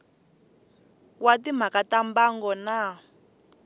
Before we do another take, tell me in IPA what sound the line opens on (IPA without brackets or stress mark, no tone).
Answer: w